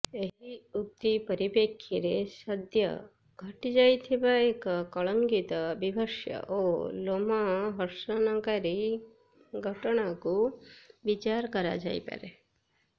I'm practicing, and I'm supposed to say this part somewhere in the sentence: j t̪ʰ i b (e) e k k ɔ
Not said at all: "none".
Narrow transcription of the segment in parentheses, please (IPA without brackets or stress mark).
a